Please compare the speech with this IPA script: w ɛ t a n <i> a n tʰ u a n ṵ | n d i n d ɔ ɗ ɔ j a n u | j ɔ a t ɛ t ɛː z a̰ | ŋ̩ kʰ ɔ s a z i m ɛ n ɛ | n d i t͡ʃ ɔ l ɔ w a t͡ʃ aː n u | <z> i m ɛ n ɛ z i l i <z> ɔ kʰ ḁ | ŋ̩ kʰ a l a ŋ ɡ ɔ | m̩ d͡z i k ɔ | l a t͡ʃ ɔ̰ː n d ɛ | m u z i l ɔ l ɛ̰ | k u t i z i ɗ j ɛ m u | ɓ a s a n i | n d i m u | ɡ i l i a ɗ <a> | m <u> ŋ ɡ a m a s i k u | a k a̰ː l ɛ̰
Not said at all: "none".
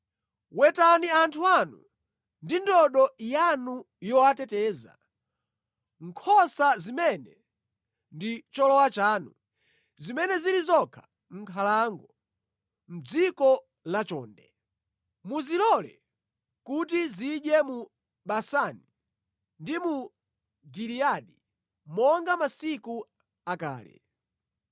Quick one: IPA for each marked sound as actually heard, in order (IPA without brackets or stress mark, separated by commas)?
i, z, z, i, ɔ